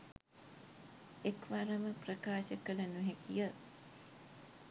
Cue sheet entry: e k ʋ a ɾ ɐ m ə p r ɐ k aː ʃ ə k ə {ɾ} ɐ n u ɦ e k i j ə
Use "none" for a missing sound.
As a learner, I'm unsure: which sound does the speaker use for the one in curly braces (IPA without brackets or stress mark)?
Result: l